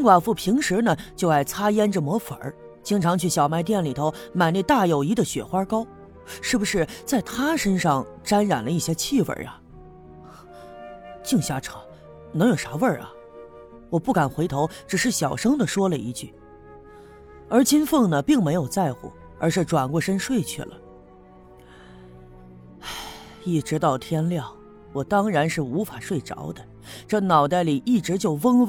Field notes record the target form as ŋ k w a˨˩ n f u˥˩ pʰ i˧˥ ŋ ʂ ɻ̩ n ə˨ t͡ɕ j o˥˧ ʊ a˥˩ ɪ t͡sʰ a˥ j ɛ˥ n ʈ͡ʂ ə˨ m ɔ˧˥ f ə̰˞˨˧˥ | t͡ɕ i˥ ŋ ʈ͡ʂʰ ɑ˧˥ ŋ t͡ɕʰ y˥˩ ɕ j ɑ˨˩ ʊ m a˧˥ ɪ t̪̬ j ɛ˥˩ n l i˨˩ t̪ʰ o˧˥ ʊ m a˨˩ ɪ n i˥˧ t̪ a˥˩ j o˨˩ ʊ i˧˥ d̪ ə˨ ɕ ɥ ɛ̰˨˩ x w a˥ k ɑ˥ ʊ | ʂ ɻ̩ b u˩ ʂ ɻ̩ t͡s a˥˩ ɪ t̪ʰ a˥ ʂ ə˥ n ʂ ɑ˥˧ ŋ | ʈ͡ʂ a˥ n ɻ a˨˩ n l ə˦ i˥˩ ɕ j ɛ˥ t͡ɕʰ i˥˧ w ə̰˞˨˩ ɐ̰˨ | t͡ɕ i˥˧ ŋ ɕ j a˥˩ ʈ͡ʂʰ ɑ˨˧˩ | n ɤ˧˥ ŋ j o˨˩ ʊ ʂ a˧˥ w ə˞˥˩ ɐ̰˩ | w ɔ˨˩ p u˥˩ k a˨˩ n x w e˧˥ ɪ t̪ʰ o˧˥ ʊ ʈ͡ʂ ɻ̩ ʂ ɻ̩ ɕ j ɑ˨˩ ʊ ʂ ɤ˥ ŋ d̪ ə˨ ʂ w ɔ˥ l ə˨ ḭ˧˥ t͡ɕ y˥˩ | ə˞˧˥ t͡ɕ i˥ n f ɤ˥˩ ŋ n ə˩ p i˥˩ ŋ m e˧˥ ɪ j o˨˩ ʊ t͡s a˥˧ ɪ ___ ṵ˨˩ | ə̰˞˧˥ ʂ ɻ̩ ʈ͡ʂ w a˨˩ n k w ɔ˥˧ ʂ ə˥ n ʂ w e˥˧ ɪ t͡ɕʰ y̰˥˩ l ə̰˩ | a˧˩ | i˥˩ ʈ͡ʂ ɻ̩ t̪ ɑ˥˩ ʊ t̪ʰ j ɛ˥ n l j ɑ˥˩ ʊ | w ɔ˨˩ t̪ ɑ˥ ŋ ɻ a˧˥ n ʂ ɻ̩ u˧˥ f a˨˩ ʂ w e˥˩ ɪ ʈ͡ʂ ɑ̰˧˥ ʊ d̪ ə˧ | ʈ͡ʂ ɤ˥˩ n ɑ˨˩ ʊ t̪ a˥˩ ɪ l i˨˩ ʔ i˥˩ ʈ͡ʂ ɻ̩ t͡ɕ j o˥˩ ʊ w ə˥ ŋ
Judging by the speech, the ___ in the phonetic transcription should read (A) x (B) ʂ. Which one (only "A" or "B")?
A